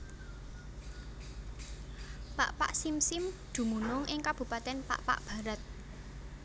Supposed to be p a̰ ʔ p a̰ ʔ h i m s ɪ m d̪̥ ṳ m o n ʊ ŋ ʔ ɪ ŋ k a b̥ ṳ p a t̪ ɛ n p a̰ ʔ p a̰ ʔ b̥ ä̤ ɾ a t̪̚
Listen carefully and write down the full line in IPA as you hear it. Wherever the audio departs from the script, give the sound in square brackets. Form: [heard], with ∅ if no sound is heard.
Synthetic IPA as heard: p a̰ ʔ p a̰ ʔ [s] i m s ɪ m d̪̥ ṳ m [u] n ʊ ŋ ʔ ɪ ŋ k a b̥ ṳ p a t̪ ɛ n p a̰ ʔ p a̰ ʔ b̥ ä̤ ɾ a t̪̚